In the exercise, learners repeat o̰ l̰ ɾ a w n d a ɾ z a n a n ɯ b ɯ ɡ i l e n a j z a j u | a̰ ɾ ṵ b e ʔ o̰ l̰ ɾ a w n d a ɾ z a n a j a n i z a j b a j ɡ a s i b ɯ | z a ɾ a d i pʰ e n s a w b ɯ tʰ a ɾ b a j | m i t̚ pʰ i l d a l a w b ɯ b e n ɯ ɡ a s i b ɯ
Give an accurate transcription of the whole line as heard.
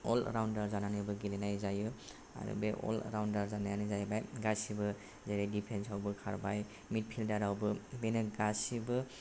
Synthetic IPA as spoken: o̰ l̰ ɾ a w n d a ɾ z a n a n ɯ b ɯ ɡ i l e n a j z a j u | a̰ ɾ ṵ b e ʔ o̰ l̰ ɾ a w n d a ɾ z a n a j a n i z a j b a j ɡ a s i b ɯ | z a ɾ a d i pʰ e n s a w b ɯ kʰ a ɾ b a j | m i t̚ pʰ i l d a ɾ a w b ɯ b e n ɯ ɡ a s i b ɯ